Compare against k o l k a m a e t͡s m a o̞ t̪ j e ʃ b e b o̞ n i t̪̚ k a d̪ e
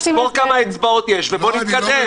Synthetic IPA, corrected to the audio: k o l k a m a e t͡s b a o̞ t̪ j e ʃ v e b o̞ n i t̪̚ k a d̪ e